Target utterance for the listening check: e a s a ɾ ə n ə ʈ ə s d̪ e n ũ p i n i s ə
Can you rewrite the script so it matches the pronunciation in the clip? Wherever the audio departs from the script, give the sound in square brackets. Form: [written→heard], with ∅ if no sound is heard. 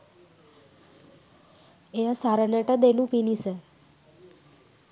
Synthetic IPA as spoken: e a s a ɾ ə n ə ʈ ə [s→∅] d̪ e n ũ p i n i s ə